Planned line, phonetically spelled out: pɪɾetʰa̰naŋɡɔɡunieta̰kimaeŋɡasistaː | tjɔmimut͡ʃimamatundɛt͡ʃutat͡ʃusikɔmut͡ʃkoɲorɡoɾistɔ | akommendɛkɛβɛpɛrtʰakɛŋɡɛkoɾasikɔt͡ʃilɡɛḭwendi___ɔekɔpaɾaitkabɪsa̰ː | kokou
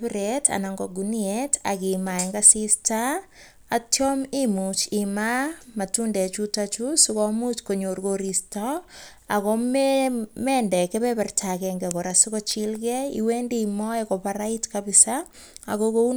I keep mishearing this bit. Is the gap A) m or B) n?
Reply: A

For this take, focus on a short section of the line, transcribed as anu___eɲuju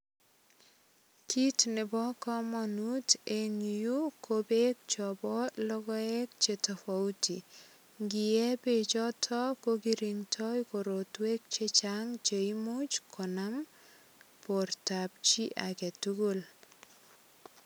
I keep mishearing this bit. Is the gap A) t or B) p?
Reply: A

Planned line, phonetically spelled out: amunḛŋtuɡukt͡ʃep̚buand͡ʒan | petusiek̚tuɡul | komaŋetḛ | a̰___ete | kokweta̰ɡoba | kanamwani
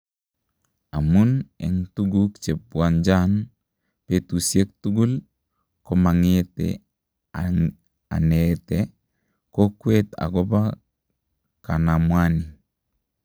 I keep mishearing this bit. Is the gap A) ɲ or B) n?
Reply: B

